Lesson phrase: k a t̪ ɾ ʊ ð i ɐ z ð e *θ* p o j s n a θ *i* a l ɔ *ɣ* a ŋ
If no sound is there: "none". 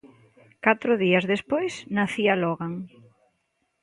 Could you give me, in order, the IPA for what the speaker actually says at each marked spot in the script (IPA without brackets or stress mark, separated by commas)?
s, i, ɣ